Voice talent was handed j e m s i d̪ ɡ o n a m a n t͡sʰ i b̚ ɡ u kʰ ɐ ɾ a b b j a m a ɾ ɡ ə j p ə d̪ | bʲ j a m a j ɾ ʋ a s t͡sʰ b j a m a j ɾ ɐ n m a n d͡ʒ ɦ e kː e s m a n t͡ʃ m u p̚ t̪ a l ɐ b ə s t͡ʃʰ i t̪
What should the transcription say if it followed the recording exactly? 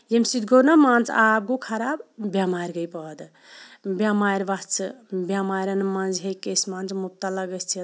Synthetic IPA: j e m s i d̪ ɡ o n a m a n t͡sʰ a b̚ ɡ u kʰ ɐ ɾ a b b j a m a ɾ ɡ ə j p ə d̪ | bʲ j a m a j ɾ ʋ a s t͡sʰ b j a m a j ɾ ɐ n m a n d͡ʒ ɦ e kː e s m a n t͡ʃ m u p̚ t̪ a l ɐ ɡ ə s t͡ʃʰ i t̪

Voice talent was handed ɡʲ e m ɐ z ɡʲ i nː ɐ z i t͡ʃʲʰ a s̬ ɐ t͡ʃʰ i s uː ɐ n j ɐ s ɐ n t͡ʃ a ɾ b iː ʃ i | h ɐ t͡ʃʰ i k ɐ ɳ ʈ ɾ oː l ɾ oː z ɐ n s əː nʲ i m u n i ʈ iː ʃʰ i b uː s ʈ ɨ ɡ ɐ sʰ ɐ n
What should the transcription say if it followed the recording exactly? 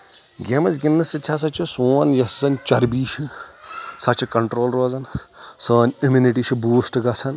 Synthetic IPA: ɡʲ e m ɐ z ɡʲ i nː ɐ s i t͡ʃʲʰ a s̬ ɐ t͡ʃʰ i s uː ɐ n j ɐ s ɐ n t͡ʃ ɐ ɾ b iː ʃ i | s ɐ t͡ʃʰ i k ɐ ɳ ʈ ɾ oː l ɾ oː z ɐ n s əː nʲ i m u n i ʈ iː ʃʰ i b uː s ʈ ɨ ɡ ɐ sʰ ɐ n

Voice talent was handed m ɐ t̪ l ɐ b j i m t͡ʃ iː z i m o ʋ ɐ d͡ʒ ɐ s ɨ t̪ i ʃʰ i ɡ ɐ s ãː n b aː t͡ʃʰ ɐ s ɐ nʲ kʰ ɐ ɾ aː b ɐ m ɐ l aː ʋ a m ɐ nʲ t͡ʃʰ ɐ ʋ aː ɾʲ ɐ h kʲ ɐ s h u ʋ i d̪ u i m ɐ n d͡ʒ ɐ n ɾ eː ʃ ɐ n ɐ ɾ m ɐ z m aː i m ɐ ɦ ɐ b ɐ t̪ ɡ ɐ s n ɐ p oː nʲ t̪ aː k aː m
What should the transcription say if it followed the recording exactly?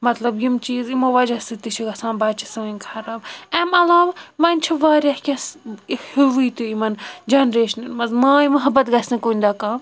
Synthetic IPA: m ɐ t̪ l ɐ b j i m t͡ʃ iː z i m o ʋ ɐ d͡ʒ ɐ s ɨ t̪ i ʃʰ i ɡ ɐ s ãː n b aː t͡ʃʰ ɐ s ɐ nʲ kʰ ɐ ɾ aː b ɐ m ɐ l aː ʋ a m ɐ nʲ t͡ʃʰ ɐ ʋ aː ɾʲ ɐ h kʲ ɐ s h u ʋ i t̪ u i m ɐ n d͡ʒ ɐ n ɾ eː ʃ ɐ n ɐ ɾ m ɐ z m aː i m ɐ ɦ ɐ b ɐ t̪ ɡ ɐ s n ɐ k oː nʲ d̪ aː k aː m

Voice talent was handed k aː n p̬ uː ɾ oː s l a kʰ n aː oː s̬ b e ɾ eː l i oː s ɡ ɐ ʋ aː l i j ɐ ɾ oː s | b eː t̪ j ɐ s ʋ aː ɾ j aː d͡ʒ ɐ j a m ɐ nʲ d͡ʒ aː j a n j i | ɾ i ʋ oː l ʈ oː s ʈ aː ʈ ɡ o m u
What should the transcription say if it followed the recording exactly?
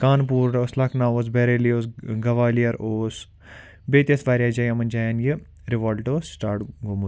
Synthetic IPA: k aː n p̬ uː ɾ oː s l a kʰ n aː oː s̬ b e ɾ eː l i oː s ɡ ɐ ʋ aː l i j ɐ ɾ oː s | b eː t̪ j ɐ s ʋ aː ɾ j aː d͡ʒ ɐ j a m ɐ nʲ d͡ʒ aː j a n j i | ɾ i ʋ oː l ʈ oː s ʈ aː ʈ ɡ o m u

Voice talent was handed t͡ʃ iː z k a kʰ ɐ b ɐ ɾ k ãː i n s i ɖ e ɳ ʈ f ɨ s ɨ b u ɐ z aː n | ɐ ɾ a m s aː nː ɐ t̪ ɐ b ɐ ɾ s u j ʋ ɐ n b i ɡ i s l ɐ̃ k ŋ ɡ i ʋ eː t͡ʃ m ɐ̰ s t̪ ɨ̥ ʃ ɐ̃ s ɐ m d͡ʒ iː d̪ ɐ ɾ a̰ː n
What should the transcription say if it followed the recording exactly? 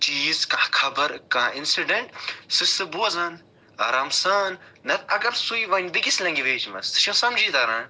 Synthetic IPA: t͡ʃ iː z k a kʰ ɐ b ɐ ɾ k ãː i n s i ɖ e ɳ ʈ s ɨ s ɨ b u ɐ z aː n | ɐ ɾ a m s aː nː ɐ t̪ ɐ ɡ ɐ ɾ s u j ʋ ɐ n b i ɡ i s l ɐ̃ ŋ ɡ i ʋ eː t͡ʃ m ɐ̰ s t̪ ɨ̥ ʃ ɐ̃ s ɐ m d͡ʒ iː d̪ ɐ ɾ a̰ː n

